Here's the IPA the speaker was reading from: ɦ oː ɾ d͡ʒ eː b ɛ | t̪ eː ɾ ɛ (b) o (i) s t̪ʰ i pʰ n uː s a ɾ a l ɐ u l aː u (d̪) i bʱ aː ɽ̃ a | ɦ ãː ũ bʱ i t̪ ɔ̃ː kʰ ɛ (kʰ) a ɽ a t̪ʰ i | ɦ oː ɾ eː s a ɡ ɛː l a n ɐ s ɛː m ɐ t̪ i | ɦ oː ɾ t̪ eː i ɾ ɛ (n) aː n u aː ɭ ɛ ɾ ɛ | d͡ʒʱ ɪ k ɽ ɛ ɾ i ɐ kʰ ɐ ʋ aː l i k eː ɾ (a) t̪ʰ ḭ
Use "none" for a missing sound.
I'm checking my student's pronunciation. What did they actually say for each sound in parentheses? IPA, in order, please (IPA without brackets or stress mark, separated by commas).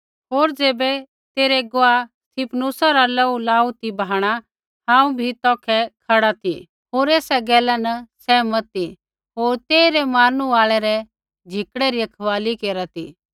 ɡ, a, t̪, kʰ, m, a